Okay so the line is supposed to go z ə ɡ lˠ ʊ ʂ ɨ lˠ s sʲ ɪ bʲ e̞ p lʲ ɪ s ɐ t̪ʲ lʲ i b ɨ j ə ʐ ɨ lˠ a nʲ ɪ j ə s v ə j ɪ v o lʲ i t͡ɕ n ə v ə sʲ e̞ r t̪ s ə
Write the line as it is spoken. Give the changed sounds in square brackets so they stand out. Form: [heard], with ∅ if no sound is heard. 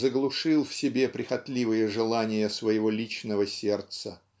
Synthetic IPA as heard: z ə ɡ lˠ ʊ ʂ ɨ lˠ [f] sʲ ɪ bʲ e̞ p [ɾʲ] ɪ [x] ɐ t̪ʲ lʲ i [v] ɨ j ə ʐ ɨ lˠ a nʲ ɪ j ə s v ə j ɪ v o lʲ i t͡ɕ n ə v ə sʲ e̞ r t̪ s ə